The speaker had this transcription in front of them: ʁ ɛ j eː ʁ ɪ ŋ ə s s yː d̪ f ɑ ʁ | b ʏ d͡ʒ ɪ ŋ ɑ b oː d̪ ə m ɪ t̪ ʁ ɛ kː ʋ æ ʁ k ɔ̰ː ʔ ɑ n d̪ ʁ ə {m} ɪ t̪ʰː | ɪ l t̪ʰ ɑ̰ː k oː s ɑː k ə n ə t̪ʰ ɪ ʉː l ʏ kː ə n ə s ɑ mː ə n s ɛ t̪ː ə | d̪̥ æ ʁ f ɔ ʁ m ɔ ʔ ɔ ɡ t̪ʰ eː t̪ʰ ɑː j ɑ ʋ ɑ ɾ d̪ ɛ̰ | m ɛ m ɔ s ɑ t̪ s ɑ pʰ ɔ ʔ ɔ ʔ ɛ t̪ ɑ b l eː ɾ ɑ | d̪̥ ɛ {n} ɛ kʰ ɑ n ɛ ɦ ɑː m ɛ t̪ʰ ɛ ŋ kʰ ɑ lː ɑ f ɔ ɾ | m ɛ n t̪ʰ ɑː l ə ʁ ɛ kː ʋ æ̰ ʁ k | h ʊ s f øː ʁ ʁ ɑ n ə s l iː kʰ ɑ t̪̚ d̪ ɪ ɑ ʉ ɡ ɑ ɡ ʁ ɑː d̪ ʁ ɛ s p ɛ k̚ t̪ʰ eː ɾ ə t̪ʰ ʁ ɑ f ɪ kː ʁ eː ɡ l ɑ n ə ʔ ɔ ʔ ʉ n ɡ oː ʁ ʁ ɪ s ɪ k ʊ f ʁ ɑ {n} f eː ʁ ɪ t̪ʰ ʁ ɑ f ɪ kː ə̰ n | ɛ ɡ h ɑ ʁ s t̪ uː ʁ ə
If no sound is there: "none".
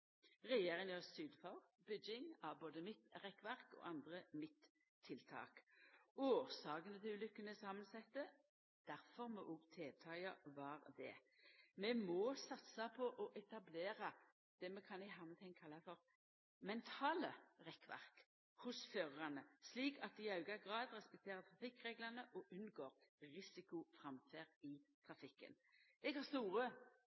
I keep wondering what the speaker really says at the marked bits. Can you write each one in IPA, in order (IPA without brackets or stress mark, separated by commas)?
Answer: m, m, m